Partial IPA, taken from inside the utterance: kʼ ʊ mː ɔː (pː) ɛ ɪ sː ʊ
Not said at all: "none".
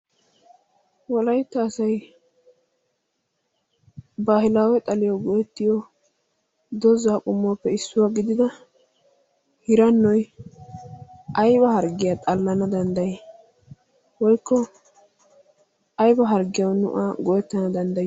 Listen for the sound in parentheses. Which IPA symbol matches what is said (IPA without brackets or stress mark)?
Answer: pː